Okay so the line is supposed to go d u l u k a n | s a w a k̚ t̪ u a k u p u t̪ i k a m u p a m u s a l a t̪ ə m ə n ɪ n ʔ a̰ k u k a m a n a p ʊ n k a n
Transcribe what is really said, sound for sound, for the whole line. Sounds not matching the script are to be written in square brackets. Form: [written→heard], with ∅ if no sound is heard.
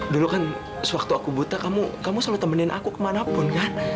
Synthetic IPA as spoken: d u l u k a n | s [a→ə] w a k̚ t̪ u a k u [p→b] u t̪ [i→a] k a m u [p→k] a m u s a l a t̪ ə m ə n ɪ n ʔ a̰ k u k [a→ə] m a n a p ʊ n k a n